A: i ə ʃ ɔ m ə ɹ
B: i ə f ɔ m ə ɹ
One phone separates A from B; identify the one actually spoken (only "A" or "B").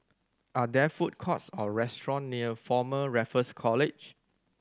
B